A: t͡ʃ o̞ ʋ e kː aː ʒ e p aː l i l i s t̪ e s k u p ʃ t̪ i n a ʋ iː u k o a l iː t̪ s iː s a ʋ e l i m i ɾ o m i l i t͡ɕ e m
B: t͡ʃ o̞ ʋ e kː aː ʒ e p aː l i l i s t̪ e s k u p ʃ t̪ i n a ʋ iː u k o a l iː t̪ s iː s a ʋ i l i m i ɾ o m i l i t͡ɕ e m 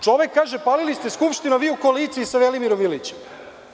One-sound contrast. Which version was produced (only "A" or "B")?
A